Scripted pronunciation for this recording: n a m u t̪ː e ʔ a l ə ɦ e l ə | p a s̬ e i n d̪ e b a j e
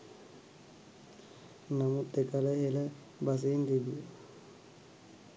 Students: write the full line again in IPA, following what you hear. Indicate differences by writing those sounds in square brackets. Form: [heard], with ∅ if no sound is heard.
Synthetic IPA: n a m u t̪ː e [k] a l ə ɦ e l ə | [b] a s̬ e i n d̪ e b [i] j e